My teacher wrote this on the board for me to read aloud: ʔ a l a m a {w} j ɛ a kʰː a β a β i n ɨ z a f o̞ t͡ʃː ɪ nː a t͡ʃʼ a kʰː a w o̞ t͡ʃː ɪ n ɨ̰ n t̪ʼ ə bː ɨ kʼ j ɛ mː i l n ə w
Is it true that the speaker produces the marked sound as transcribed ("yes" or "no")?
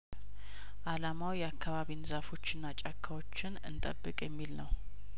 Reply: yes